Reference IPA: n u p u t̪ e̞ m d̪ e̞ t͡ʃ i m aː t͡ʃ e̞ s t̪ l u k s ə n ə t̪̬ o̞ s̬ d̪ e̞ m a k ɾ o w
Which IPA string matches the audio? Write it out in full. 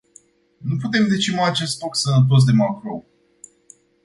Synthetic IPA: n u p u t̪ e̞ m d̪ e̞ t͡ʃ i m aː t͡ʃ e̞ s t̪ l o k s ə n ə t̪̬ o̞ s̬ d̪ e̞ m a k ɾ o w